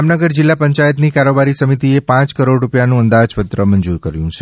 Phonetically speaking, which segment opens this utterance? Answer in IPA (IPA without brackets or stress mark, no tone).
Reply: m